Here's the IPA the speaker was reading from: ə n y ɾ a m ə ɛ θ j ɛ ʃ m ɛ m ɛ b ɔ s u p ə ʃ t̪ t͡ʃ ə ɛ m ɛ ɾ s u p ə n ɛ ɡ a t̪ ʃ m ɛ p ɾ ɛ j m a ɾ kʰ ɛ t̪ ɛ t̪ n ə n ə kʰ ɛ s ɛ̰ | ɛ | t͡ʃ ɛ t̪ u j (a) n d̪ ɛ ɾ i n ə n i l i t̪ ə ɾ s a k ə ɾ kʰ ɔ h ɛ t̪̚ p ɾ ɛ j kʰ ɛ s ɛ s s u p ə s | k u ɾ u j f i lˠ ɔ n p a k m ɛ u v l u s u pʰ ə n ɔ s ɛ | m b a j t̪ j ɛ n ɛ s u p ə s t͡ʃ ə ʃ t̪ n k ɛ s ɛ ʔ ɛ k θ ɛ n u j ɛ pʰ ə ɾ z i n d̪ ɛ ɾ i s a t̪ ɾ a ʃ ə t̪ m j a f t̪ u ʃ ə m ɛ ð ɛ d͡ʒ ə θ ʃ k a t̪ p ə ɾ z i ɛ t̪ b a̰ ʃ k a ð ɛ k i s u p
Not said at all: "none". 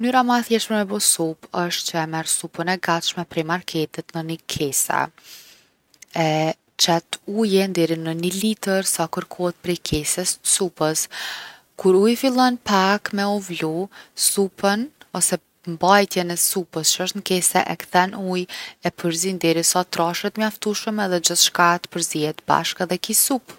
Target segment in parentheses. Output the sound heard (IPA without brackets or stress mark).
ɛ